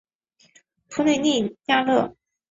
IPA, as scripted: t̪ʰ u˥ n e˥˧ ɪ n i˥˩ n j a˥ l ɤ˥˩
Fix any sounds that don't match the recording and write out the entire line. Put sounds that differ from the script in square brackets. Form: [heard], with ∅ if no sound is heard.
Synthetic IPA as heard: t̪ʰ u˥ n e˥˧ ɪ n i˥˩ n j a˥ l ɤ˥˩

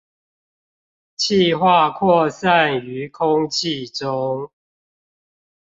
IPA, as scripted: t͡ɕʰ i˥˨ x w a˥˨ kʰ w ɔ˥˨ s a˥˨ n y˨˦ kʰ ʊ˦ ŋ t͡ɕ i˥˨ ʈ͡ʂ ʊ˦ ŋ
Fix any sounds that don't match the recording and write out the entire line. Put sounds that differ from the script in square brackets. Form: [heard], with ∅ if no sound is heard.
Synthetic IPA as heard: t͡ɕʰ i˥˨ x w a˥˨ kʰ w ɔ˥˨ s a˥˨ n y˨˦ kʰ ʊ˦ ŋ [t͡ɕʰ] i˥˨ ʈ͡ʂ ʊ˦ ŋ

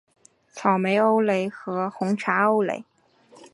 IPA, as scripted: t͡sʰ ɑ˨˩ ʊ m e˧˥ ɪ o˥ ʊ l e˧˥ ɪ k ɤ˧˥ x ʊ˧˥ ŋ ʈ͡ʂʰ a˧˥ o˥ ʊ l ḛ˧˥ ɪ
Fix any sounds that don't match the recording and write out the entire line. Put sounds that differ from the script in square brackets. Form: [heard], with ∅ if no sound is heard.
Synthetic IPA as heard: t͡sʰ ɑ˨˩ ʊ m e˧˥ ɪ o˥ ʊ l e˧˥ ɪ [x] ɤ˧˥ x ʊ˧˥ ŋ ʈ͡ʂʰ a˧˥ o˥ ʊ l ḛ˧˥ ɪ

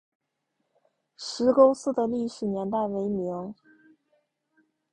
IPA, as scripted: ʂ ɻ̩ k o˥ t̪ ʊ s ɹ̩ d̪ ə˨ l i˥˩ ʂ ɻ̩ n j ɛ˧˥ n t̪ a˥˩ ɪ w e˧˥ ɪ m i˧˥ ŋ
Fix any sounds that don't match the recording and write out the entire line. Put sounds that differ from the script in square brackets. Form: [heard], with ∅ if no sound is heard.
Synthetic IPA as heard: ʂ ɻ̩ k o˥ [∅] ʊ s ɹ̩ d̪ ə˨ l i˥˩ ʂ ɻ̩ n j ɛ˧˥ n t̪ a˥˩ ɪ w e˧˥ ɪ m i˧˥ ŋ

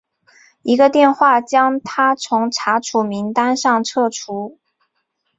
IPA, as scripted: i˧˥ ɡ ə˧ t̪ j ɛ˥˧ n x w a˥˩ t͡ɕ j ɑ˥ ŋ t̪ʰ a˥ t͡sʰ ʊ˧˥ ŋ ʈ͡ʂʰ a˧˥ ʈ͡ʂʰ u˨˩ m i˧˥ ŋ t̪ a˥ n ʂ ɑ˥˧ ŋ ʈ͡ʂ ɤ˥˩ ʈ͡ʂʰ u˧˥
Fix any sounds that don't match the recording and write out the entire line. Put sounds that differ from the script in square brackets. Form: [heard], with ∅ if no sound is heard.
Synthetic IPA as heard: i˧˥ ɡ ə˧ t̪ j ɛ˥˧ n x w a˥˩ t͡ɕ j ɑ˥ ŋ t̪ʰ a˥ t͡sʰ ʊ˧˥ ŋ ʈ͡ʂʰ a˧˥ ʈ͡ʂʰ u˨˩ m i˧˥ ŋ t̪ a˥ n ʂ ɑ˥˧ ŋ [ʈ͡ʂʰ] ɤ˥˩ ʈ͡ʂʰ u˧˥

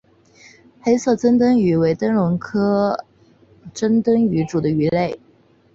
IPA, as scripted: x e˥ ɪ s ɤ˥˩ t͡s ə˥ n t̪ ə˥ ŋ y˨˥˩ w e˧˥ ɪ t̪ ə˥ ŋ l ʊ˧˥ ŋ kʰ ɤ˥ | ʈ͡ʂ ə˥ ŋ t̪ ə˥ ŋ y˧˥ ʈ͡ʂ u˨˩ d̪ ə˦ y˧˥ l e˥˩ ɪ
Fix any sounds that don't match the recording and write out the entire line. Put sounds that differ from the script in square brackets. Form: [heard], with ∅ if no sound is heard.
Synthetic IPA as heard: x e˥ ɪ s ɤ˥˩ t͡s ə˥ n t̪ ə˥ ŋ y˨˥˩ w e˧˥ ɪ t̪ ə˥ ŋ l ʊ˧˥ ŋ kʰ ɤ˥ | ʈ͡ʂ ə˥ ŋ t̪ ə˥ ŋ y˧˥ ʈ͡ʂ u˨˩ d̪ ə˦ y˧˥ l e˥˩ ɪ

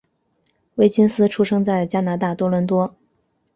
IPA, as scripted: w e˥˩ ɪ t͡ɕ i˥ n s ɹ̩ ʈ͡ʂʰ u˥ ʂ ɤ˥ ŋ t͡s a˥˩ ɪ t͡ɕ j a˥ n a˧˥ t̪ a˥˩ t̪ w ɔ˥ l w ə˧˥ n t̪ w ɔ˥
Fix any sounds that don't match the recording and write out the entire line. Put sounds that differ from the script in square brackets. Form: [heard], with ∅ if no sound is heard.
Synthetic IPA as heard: w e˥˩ ɪ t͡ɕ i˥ n s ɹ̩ ʈ͡ʂʰ u˥ ʂ ɤ˥ ŋ t͡s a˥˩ ɪ t͡ɕ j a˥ n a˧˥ t̪ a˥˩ t̪ w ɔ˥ l w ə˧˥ n t̪ w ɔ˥

